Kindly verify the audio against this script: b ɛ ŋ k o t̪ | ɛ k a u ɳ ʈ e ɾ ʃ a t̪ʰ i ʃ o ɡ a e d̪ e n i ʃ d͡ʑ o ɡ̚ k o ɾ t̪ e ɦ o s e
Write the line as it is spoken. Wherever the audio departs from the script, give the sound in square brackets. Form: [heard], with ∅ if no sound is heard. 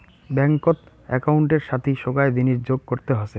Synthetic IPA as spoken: b ɛ ŋ k o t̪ | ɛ k a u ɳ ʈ e ɾ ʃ a t̪ʰ i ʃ o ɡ a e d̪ [i] n i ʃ d͡ʑ o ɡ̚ k o ɾ t̪ e ɦ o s e